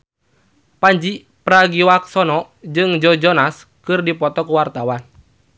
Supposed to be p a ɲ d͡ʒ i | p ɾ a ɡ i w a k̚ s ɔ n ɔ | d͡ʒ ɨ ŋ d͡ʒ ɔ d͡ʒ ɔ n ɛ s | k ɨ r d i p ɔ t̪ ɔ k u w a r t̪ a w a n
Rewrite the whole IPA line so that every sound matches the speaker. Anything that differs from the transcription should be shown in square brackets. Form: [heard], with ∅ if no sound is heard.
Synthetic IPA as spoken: p a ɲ d͡ʒ i | p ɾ a ɡ i w a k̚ s ɔ n ɔ | d͡ʒ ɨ ŋ d͡ʒ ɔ d͡ʒ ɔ n [a] s | k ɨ r d i p ɔ t̪ ɔ k u w a r t̪ a w a n